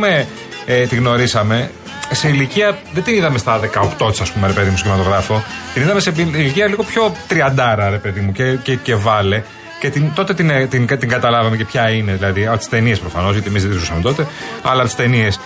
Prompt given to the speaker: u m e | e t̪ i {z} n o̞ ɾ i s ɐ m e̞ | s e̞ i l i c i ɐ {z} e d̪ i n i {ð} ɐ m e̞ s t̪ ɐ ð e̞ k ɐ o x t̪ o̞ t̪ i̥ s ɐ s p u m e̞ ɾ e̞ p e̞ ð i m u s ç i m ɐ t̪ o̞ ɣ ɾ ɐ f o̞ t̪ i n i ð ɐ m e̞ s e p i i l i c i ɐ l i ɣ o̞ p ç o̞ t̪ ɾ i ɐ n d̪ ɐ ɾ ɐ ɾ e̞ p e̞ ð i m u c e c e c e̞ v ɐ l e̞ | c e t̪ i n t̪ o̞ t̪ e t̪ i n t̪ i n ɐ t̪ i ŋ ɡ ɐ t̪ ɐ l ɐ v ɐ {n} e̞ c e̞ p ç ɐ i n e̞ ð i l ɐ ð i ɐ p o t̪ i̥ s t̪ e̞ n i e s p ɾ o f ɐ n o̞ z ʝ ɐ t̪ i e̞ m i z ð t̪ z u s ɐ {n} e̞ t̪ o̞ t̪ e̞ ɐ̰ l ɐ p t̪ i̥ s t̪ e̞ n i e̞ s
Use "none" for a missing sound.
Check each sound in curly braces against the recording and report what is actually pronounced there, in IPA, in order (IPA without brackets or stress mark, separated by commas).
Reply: ɣ, ð, ð, m, m